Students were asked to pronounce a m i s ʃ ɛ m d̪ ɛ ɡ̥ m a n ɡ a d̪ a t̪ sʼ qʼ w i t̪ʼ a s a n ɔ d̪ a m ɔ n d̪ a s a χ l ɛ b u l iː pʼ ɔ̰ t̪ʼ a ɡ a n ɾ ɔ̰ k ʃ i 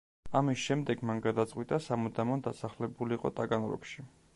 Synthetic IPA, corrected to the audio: a m i s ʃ ɛ m d̪ ɛ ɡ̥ m a n ɡ a d̪ a t̪ sʼ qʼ w i t̪ʼ a s a m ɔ d̪ a m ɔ n d̪ a s a χ l ɛ b u l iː qʼ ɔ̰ t̪ʼ a ɡ a n ɾ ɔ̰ k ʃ i